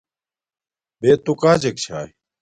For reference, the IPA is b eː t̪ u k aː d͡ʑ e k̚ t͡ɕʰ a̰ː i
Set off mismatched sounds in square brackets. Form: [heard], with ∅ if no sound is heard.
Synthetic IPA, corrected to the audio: b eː t̪ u k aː d͡ʑ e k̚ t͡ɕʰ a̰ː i